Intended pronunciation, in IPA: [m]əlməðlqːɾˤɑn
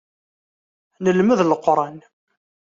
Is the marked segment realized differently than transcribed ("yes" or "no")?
yes